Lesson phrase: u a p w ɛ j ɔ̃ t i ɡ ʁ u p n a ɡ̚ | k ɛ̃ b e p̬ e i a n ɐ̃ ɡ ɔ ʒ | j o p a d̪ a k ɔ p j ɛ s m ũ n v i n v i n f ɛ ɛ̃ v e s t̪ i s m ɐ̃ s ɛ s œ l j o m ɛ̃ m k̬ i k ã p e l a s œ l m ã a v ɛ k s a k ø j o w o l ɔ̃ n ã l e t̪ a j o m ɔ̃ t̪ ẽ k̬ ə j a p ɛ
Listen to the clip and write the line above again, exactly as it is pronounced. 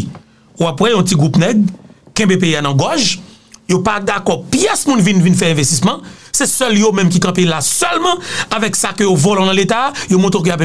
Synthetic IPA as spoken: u a p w ɛ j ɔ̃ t i ɡ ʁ u p n ɛ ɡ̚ | k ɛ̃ b e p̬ e i a n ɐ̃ ɡ ɔ ʒ | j o p a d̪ a k ɔ p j ɛ s m ũ n v i n v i n f ɛ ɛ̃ v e s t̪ i s m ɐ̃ s ɛ s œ l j o m ɛ̃ m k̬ i k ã p e l a s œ l m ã a v ɛ k s a k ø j o v o l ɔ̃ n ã l e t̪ a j o m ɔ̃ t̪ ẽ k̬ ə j a p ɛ